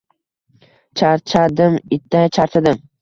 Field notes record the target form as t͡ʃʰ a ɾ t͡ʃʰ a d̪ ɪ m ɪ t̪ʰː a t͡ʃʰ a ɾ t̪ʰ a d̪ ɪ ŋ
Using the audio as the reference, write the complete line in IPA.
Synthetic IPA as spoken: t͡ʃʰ a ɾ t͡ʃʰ a d̪ ɪ m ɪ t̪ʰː a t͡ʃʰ a ɾ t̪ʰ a d̪ ɪ m